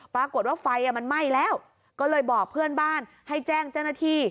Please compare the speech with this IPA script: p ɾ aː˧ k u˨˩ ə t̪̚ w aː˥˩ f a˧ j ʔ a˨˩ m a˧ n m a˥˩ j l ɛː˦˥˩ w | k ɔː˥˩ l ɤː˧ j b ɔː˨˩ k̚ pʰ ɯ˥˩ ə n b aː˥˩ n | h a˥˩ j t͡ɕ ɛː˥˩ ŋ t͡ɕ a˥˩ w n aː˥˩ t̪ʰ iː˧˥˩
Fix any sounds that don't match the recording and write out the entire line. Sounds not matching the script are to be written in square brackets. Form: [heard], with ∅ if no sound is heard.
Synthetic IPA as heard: p ɾ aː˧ k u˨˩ ə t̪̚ w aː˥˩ f a˧ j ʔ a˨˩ m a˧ n m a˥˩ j l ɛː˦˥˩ w | k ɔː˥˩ l ɤː˧ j b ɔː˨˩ k̚ pʰ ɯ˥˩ ə n b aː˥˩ n | h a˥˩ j t͡ɕ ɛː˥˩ ŋ t͡ɕ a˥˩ w n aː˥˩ t̪ʰ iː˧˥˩

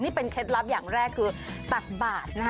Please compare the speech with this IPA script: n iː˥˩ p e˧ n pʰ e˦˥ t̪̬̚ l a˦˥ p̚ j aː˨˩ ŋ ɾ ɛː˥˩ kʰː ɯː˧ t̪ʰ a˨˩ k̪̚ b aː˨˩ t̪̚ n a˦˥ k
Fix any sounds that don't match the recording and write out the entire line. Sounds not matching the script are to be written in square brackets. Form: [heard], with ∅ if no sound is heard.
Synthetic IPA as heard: n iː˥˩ p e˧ n [kʰ] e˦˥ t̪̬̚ l a˦˥ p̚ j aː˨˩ ŋ ɾ ɛː˥˩ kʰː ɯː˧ [t̪] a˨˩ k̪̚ b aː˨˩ t̪̚ n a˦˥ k

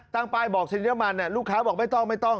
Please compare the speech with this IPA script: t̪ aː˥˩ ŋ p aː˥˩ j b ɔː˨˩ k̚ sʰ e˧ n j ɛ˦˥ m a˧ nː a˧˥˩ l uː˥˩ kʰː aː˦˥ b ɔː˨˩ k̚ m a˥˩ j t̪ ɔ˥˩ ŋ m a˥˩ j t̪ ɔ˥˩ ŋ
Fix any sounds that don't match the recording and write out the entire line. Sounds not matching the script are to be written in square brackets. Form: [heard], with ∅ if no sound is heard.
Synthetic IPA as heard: t̪ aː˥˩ ŋ p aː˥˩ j b ɔː˨˩ k̚ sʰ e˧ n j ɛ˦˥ m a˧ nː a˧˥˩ l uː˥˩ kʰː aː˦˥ b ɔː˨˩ k̚ m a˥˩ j t̪ ɔ˥˩ ŋ m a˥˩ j t̪ ɔ˥˩ ŋ

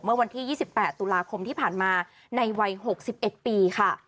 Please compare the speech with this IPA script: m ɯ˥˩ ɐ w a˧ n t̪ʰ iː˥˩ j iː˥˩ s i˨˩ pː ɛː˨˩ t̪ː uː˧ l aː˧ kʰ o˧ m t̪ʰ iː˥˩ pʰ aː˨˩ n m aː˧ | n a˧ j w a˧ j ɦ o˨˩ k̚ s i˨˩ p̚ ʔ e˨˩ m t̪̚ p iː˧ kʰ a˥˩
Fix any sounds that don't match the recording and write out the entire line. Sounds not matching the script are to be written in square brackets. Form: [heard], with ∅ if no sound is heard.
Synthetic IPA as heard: m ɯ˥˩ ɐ w a˧ n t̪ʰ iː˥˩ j iː˥˩ s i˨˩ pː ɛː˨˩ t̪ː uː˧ l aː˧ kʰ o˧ m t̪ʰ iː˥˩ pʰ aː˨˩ n m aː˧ | n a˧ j w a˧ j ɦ o˨˩ k̚ s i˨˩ p̚ ʔ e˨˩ [∅] t̪̚ p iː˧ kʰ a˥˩

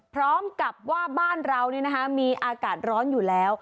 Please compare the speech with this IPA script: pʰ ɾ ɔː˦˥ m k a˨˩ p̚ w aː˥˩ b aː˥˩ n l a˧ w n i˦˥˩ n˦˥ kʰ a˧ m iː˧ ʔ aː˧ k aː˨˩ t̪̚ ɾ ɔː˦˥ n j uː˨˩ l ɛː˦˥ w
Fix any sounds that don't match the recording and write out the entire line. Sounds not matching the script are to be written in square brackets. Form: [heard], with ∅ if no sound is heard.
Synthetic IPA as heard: pʰ ɾ ɔː˦˥ m k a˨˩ p̚ w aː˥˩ b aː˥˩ n [ɾ] a˧ w n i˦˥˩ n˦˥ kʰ [a˦˥] m iː˧ ʔ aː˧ k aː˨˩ t̪̚ ɾ ɔː˦˥ n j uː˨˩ l ɛː˦˥ w

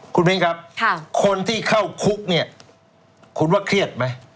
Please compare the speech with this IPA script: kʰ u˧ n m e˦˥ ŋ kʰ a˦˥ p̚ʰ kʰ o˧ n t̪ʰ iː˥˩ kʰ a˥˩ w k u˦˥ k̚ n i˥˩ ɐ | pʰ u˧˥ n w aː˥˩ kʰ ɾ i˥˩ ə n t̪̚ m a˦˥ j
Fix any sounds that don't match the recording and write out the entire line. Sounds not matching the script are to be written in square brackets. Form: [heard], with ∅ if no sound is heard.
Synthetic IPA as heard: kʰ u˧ n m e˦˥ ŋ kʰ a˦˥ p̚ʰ kʰ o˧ n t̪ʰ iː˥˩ kʰ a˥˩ w [kʰ] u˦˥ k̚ n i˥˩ ɐ | [kʰ] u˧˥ n w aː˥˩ kʰ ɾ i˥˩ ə [∅] t̪̚ m a˦˥ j

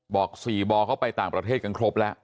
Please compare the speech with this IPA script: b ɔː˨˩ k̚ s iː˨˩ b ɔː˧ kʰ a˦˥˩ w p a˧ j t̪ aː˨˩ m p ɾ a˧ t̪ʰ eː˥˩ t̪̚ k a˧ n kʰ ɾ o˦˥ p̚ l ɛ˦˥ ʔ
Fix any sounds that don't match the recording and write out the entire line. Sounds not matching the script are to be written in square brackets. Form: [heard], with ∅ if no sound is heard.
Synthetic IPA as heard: b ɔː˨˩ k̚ s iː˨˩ b ɔː˧ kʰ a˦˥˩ w p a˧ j t̪ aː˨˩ [ŋ] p ɾ a˧ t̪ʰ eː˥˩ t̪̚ k a˧ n kʰ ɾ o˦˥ p̚ l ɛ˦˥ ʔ

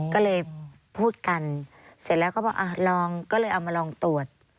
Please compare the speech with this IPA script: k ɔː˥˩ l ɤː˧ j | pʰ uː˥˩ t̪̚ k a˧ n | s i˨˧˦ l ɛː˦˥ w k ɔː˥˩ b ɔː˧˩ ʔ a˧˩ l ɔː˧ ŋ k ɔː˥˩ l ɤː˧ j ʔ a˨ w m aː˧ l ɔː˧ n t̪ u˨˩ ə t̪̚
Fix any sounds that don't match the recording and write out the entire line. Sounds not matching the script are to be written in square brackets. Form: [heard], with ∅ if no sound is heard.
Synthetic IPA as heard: k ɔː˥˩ l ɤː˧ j | pʰ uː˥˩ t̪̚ k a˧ n | s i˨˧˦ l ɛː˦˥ w k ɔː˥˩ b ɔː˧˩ ʔ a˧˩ l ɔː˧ ŋ k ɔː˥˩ l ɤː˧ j ʔ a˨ w m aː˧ l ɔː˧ [ŋ] t̪ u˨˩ ə t̪̚

